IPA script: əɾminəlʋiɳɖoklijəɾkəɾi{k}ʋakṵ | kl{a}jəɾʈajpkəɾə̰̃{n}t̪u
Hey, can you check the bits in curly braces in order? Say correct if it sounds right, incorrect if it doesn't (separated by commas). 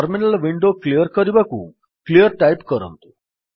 incorrect, incorrect, correct